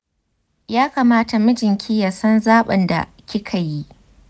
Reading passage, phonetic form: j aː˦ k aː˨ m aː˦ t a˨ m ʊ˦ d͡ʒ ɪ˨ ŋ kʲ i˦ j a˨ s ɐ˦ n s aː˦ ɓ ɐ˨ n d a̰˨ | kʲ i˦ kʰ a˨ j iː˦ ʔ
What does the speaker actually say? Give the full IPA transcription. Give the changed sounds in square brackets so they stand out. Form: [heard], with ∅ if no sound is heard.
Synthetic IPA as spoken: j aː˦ k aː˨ m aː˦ t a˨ m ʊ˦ d͡ʒ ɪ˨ ŋ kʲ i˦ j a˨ s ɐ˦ n [z] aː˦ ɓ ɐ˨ n d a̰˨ | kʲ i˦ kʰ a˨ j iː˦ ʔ